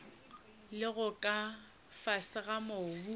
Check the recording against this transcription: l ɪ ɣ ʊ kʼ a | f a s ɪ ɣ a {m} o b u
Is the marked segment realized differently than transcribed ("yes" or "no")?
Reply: no